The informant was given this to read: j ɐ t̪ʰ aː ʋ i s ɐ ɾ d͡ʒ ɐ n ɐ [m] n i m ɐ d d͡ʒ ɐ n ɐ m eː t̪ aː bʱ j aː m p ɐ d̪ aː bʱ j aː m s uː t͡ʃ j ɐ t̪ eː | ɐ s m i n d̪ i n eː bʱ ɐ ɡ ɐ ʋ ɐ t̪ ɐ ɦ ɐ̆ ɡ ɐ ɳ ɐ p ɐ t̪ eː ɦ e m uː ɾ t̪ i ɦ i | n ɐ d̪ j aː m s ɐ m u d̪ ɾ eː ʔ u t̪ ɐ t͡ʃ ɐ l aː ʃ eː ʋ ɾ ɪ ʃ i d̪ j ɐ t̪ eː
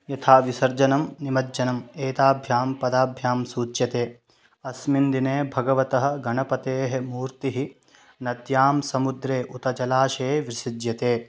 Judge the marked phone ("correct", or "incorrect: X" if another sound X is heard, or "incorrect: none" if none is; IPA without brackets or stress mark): correct